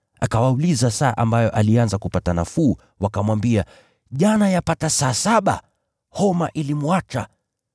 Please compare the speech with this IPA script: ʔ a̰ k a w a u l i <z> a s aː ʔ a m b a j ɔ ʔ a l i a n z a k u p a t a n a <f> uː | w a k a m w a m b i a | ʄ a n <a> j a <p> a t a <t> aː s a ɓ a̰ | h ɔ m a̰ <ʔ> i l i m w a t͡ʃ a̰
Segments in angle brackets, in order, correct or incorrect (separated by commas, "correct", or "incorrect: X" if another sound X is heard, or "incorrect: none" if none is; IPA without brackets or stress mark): correct, correct, correct, correct, incorrect: s, correct